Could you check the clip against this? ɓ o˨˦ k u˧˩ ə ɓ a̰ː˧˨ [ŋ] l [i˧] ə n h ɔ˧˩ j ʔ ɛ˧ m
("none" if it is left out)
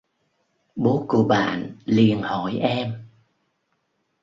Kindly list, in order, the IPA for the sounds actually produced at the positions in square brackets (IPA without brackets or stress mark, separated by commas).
n, i˨˩